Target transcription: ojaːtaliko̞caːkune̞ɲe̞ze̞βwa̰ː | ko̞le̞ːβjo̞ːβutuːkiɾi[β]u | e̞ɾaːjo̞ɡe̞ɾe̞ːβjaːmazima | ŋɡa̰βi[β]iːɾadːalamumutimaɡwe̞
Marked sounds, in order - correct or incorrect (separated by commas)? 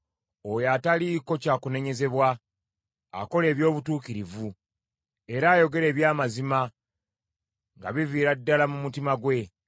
incorrect, incorrect